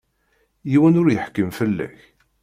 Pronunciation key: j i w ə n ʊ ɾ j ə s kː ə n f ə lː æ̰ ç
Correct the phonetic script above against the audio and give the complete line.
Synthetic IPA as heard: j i w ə n ʊ ɾ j ə ħ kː ə m f ə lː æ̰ ç